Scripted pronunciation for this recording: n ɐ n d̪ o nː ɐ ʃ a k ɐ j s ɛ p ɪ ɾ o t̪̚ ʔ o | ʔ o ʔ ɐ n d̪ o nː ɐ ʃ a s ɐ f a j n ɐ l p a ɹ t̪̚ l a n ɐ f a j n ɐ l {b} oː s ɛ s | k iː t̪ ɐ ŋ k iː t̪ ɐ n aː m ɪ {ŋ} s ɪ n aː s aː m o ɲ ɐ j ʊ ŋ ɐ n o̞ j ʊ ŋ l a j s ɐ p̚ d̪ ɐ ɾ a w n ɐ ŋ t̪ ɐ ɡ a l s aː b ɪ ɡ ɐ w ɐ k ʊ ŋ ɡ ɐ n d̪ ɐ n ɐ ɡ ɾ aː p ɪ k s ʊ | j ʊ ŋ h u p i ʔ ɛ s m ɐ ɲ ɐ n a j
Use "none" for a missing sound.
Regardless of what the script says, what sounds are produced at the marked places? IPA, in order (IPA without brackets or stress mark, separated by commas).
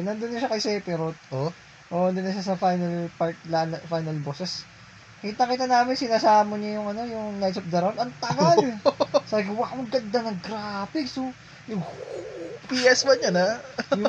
b, n